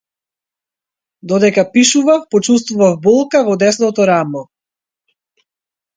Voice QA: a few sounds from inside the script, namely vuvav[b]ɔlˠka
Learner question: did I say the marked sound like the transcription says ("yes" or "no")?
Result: yes